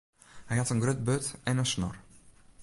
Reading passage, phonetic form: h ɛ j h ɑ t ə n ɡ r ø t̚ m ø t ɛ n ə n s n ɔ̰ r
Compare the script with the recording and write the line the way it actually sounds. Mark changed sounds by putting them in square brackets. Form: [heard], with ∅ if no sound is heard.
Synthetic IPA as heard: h ɛ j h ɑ t ə n ɡ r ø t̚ [b] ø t ɛ n ə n s n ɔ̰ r